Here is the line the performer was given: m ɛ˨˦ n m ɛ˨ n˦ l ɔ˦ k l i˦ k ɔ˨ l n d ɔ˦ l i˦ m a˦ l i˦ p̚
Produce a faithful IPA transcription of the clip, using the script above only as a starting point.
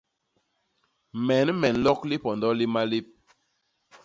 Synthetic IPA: m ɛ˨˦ n m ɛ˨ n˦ l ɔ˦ k l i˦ p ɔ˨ n d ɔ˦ l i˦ m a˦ l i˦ p̚